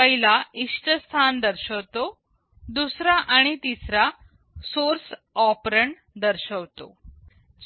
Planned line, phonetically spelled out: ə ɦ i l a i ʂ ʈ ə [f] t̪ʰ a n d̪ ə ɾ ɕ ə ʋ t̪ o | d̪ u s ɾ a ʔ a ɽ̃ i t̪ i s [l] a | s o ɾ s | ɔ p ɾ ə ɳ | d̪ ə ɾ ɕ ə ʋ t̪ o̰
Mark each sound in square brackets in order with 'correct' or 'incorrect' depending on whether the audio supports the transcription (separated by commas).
incorrect, incorrect